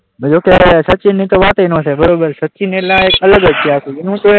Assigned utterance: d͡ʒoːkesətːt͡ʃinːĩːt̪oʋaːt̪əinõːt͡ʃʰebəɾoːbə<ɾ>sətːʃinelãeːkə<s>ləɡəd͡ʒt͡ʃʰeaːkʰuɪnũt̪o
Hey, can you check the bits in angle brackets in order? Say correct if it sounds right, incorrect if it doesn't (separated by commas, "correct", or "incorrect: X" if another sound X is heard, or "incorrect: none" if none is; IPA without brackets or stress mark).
correct, incorrect: none